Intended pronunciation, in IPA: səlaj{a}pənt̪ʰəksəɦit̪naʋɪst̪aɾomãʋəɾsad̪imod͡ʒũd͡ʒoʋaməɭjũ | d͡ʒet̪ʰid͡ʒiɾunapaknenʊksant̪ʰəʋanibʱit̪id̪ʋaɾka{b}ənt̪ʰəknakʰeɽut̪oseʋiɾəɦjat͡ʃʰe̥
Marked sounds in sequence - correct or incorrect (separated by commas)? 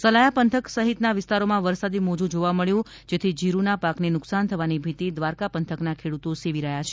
correct, incorrect